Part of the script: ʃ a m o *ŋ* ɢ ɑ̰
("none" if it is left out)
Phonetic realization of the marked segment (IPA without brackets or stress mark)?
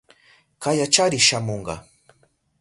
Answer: ɴ